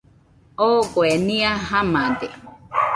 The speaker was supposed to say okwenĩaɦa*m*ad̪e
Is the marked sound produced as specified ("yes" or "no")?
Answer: yes